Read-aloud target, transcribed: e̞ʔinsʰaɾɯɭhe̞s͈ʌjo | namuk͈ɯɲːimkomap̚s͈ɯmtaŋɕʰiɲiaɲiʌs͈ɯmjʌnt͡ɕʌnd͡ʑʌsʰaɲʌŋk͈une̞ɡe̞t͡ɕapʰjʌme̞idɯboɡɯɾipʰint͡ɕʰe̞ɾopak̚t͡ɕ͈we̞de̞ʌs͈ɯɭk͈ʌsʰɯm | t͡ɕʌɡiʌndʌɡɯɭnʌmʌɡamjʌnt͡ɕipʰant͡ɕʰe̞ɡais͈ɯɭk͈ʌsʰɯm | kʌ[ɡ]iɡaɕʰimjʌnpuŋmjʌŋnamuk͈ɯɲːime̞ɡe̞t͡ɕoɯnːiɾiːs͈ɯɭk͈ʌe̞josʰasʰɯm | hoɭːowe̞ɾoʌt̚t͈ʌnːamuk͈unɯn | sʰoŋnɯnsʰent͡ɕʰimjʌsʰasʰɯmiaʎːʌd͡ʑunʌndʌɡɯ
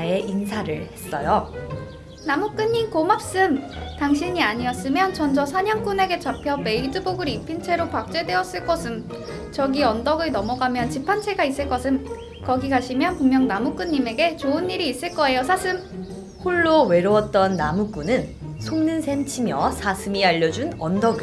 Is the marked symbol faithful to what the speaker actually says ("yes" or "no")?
yes